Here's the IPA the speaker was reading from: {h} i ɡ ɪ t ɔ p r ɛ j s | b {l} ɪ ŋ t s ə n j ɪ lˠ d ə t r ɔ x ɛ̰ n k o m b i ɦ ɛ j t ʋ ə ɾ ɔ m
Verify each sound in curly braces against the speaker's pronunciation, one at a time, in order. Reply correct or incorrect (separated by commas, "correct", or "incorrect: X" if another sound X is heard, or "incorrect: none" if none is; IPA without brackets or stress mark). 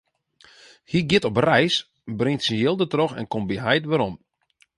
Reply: correct, incorrect: r